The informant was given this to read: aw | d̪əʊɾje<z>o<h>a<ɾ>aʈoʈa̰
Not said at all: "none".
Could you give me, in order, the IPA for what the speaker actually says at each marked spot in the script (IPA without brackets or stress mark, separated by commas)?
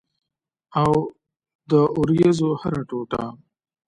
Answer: z, h, ɾ